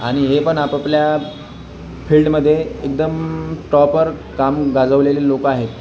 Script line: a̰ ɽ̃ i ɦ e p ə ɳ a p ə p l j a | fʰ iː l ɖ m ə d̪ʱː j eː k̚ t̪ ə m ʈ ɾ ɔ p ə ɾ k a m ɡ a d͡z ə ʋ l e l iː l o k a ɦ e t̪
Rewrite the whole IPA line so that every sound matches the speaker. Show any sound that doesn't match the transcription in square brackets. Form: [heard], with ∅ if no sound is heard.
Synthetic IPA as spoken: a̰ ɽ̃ i ɦ e p ə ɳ a p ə p l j a | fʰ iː l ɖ m ə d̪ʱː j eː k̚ [d̪] ə m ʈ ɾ ɔ p ə ɾ k a m ɡ a d͡z ə ʋ l e l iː l o k a ɦ e t̪